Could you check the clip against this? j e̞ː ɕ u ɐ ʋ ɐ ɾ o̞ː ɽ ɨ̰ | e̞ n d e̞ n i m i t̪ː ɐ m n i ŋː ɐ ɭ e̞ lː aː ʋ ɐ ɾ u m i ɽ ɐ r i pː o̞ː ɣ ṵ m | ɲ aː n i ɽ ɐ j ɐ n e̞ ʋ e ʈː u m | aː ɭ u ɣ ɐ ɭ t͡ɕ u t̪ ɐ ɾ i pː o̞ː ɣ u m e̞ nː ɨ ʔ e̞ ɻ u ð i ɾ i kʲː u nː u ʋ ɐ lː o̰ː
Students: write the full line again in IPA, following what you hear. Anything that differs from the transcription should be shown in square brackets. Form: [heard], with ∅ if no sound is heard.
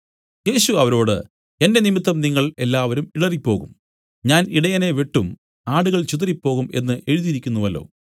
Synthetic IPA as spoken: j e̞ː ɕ u ɐ ʋ ɐ ɾ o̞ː ɽ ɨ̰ | e̞ n d e̞ n i m i t̪ː ɐ m n i ŋː ɐ ɭ e̞ lː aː ʋ ɐ ɾ u m i ɽ ɐ r i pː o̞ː ɣ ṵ m | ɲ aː n i ɽ ɐ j ɐ n e̞ ʋ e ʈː u m | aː [ɽ] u ɣ ɐ ɭ t͡ɕ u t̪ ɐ ɾ i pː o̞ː ɣ u m e̞ nː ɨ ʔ e̞ ɻ u ð i ɾ i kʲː u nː u ʋ ɐ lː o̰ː